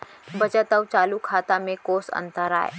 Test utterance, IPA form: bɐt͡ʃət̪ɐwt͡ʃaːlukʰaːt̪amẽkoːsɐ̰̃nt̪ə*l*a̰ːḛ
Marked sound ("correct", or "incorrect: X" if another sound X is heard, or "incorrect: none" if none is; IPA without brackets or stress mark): incorrect: ɾ